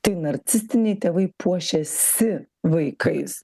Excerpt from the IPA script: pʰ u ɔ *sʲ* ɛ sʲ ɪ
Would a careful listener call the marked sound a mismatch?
yes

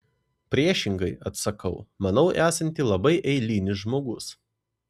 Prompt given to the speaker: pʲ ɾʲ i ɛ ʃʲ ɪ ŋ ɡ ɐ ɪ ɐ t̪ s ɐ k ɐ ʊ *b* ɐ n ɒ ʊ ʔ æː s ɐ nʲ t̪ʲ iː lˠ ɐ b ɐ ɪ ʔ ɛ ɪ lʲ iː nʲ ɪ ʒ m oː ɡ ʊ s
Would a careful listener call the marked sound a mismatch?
yes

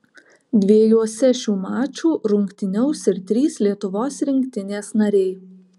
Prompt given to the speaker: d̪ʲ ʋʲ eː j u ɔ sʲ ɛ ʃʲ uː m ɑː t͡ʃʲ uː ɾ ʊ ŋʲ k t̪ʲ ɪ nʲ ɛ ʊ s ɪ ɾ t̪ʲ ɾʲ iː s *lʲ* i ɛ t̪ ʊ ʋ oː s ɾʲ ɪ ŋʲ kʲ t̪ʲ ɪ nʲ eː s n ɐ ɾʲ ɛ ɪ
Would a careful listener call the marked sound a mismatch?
no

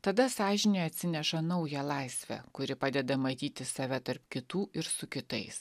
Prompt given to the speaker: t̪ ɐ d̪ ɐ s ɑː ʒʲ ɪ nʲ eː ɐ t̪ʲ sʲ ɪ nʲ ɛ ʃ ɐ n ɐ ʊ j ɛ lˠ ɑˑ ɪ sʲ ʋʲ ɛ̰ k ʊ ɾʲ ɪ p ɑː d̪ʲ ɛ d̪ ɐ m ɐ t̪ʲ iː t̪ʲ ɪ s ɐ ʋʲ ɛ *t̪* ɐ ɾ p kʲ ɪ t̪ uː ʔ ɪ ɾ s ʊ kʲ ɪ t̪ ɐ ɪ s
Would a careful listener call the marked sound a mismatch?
no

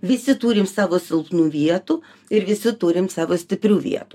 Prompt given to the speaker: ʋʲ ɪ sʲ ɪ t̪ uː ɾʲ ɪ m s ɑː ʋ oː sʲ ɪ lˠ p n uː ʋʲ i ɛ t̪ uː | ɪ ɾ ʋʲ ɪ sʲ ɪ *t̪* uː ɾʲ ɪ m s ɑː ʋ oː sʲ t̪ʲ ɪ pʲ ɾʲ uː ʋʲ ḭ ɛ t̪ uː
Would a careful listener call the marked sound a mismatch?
no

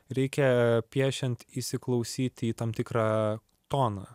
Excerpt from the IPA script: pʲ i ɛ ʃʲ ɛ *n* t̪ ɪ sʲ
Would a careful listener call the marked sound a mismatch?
no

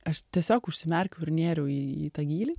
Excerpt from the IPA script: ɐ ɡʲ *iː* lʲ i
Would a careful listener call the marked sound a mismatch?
no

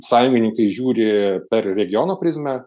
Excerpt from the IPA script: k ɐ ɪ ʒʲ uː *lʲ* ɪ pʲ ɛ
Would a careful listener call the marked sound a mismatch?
yes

